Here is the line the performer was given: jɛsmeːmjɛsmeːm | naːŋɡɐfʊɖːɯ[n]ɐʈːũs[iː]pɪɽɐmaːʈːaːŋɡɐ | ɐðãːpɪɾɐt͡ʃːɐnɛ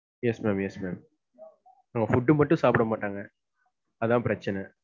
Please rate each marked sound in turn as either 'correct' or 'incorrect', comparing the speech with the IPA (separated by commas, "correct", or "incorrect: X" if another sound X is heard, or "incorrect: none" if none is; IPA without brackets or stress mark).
incorrect: m, incorrect: aː